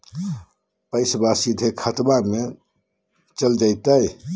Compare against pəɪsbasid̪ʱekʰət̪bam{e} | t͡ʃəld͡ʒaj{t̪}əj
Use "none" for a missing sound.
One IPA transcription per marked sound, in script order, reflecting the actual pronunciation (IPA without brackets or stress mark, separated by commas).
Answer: e, t̪